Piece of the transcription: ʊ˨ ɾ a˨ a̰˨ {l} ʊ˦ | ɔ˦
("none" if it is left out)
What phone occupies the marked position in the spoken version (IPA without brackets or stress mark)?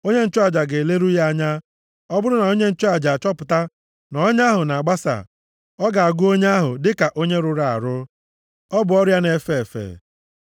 ɾ